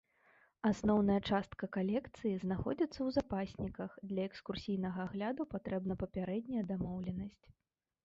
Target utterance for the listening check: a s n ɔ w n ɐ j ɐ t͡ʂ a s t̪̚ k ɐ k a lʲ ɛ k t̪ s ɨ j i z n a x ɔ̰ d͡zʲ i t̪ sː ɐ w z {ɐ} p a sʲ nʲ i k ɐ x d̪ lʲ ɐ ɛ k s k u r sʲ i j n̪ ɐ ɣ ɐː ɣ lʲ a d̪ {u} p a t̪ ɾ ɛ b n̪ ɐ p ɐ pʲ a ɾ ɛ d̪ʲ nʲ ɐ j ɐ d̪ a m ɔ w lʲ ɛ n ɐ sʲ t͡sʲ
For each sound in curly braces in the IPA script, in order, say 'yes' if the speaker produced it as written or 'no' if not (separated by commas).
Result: no, yes